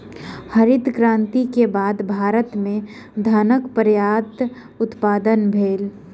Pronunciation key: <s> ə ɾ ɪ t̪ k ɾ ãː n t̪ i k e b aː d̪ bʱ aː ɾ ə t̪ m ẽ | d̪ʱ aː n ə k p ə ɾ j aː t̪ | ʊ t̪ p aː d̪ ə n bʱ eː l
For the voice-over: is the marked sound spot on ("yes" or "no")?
no